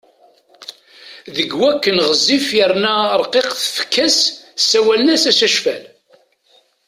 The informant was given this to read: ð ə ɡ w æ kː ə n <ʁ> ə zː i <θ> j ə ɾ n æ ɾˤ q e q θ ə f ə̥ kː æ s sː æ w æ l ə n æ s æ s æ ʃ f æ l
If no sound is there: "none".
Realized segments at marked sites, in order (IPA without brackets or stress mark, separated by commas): ʁ, f